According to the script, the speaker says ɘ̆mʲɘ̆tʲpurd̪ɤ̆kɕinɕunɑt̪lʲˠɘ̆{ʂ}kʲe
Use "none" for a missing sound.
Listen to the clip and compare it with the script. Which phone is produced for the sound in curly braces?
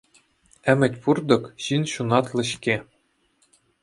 ɕ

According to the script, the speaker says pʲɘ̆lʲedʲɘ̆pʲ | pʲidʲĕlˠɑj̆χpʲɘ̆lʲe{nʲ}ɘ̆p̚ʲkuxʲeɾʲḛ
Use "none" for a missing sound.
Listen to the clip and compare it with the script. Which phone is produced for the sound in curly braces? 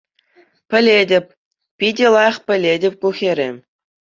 dʲ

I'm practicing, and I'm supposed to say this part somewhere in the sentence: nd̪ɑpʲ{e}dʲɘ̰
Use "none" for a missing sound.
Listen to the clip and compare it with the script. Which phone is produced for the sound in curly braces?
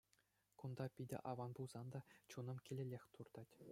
i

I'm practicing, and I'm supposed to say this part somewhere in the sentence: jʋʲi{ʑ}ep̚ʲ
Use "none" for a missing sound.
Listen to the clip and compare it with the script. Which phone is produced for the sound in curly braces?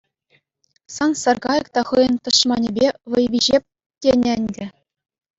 ʑ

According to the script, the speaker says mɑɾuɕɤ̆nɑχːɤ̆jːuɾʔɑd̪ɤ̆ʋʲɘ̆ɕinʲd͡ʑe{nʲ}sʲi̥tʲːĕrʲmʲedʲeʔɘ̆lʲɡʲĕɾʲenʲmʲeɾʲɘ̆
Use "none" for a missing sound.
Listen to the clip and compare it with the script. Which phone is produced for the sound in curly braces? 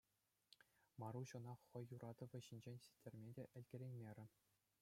nʲ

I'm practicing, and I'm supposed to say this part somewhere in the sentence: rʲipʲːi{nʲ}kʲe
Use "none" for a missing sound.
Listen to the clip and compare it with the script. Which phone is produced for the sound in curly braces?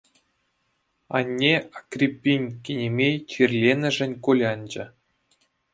nʲ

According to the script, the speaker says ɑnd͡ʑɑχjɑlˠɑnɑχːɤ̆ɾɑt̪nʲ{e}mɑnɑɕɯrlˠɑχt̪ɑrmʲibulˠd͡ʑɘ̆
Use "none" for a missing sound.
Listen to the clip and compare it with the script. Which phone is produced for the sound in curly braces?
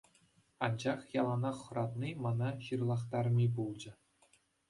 i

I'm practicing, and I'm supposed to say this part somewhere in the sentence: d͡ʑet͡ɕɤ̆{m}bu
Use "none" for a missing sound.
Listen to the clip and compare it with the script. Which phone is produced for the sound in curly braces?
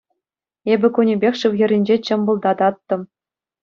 m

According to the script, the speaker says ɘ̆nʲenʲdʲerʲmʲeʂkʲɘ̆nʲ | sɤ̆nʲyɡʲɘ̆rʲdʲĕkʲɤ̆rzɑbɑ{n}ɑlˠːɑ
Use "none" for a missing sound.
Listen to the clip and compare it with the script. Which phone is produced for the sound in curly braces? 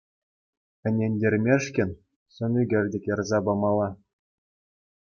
m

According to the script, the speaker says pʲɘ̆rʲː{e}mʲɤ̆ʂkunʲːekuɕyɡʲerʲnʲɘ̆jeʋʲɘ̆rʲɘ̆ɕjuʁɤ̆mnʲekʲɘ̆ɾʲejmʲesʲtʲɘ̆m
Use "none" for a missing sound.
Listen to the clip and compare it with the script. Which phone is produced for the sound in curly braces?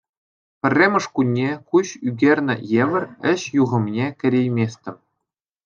e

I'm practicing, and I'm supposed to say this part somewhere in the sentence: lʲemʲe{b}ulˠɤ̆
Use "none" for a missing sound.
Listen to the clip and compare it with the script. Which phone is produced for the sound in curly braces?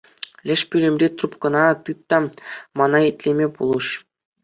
p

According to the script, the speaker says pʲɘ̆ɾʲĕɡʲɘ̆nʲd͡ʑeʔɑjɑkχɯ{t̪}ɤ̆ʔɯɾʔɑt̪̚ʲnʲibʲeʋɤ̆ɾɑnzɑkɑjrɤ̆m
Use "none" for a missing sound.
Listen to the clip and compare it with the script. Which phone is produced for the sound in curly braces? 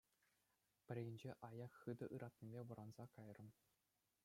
d̪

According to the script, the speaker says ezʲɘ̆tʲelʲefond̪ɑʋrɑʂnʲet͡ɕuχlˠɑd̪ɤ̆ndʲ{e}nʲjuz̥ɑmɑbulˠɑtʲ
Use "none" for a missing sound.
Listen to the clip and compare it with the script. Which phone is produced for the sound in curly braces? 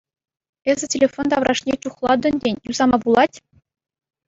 e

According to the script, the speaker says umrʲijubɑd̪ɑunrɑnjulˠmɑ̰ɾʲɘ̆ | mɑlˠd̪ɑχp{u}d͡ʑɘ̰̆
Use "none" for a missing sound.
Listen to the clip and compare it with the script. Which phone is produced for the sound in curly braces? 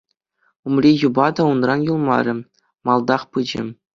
ɯ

